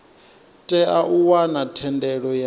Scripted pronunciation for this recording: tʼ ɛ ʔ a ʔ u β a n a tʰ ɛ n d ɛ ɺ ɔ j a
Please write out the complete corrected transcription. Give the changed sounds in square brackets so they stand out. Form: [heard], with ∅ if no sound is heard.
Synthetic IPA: tʼ ɛ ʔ a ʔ u [w] a n a tʰ ɛ n d ɛ ɺ ɔ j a